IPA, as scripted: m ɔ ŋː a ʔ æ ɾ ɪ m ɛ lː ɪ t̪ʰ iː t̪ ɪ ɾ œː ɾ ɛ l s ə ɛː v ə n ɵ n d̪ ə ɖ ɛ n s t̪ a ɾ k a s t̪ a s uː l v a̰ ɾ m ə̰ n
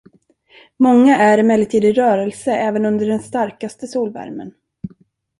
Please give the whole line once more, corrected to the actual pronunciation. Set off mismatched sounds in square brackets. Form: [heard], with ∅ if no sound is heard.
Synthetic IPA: m ɔ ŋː a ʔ æ ɾ ɪ m ɛ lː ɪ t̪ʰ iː [d̪] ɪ ɾ œː ɾ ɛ l s ə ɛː v ə n ɵ n d̪ ə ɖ ɛ n s t̪ a ɾ k a s t̪ [ə] s uː l v [æ̰] ɾ m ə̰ n